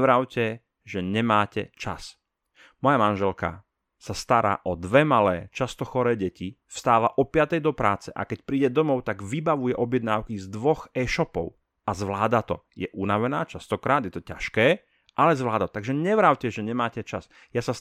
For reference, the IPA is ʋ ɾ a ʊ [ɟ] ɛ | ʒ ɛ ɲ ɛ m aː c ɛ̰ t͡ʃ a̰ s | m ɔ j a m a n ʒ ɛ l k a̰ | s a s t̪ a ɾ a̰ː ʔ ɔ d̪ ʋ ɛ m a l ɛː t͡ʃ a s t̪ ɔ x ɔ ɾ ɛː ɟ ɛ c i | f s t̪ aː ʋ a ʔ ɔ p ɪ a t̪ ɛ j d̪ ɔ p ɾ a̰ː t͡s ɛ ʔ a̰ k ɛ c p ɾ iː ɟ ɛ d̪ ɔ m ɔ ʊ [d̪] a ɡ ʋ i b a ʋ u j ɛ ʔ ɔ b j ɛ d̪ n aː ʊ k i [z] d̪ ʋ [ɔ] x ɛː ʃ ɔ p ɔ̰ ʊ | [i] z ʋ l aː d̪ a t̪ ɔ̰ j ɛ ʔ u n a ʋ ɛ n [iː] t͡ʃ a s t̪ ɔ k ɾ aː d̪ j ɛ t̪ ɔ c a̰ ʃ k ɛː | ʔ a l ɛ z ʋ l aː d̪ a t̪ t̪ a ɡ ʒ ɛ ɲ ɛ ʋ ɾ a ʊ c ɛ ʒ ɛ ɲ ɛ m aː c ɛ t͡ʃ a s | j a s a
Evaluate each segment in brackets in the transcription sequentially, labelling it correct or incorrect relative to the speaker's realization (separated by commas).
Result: incorrect, incorrect, correct, correct, incorrect, incorrect